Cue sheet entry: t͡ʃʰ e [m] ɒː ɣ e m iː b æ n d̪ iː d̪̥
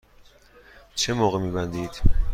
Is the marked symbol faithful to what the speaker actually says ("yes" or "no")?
yes